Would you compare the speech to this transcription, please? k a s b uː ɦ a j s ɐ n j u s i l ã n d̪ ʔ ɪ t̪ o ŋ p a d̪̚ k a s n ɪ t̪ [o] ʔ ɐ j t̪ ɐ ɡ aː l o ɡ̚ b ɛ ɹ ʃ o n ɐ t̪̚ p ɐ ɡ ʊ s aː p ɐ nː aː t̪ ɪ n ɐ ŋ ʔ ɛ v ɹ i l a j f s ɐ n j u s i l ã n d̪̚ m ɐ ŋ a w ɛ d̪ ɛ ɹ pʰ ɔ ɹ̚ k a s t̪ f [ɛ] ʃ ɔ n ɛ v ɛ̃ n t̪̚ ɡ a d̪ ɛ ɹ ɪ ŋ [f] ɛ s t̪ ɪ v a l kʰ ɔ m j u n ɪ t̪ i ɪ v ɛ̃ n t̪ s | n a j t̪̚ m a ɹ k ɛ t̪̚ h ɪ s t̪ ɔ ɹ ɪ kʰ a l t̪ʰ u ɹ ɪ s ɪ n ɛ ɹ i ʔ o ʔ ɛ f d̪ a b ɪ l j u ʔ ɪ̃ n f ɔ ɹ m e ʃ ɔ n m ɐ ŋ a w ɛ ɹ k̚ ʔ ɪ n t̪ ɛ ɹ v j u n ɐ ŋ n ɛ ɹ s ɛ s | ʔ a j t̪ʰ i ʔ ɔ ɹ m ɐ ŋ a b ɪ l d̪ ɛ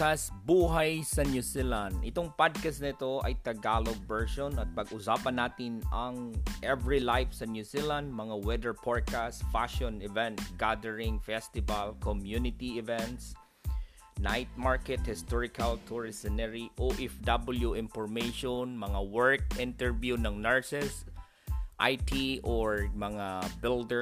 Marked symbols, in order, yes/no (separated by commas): yes, no, yes